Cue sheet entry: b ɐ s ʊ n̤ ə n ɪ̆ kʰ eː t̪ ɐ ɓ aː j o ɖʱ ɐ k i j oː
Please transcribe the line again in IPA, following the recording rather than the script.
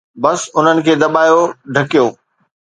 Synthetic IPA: b ɐ s ʊ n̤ ə n ɪ̆ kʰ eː d̪ ɐ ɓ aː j o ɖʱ ɐ k i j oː